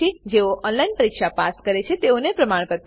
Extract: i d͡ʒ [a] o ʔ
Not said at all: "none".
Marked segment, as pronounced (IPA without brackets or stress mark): e